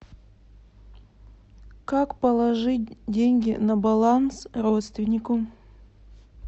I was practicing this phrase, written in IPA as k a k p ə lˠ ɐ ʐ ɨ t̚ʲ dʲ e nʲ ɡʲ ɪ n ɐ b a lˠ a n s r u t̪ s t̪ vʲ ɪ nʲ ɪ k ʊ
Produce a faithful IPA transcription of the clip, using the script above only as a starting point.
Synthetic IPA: k a k p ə lˠ ɐ ʐ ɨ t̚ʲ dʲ e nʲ ɡʲ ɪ n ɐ b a lˠ a n s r o t̪ s t̪ vʲ ɪ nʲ ɪ k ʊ